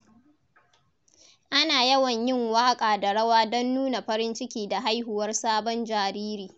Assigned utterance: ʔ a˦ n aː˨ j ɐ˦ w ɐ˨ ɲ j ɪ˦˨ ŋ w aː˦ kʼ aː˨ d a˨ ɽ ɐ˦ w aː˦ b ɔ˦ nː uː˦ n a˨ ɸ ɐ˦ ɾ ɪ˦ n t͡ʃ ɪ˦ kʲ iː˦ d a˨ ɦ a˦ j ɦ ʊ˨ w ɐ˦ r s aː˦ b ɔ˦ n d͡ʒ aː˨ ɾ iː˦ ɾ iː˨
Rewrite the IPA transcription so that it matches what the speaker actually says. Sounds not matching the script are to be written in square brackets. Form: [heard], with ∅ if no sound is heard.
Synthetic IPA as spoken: ʔ a˦ n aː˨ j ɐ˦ w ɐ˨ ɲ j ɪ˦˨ ŋ w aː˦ kʼ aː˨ d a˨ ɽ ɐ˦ w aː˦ [d] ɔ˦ nː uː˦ n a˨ ɸ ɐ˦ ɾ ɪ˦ n t͡ʃ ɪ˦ kʲ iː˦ d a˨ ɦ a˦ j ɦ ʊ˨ w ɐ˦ r s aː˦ b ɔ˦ n d͡ʒ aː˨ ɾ iː˦ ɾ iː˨